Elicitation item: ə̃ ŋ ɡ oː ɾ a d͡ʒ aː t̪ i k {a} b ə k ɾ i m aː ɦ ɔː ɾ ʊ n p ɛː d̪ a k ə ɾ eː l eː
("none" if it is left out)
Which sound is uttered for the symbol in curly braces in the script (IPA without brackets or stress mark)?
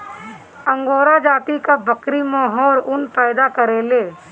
a